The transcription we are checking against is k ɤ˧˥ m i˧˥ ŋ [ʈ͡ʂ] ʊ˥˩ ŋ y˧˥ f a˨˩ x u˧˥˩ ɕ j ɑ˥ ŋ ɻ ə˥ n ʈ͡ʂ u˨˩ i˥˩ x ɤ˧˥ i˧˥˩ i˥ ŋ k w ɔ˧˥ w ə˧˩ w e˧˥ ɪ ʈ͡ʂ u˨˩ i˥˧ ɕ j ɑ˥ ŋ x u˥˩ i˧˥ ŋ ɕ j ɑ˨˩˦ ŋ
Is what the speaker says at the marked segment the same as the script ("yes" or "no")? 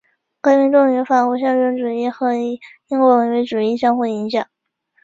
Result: yes